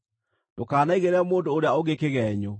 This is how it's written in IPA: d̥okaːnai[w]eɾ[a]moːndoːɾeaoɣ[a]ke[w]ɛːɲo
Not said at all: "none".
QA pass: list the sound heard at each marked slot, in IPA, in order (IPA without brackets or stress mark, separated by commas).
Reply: ɣ, ɛ, e, ɣ